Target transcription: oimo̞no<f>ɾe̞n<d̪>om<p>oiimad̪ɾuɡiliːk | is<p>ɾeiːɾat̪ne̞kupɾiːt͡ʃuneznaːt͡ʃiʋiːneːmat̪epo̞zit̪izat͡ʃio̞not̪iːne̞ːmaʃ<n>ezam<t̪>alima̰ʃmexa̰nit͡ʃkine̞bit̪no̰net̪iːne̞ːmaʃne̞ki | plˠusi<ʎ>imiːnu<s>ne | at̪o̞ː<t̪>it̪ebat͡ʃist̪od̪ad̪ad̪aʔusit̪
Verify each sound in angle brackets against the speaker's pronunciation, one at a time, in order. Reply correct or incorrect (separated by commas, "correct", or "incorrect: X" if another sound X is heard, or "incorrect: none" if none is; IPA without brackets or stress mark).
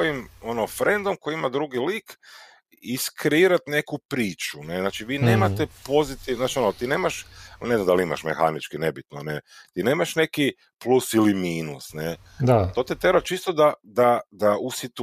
correct, correct, incorrect: k, incorrect: k, correct, incorrect: d̪, incorrect: l, correct, correct